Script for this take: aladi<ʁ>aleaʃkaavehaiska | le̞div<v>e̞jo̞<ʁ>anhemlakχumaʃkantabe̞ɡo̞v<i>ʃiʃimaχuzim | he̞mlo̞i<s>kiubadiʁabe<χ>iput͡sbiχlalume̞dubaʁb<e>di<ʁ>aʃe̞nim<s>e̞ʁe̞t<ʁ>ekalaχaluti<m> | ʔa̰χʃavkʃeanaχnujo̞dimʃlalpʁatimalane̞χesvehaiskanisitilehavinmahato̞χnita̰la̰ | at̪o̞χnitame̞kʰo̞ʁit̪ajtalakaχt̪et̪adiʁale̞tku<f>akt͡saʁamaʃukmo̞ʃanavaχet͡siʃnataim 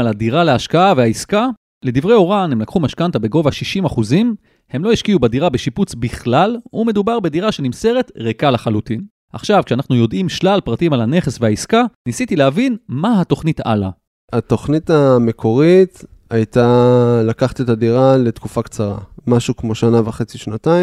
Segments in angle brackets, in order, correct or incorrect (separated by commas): correct, incorrect, correct, incorrect, incorrect, incorrect, correct, correct, correct, correct, incorrect, correct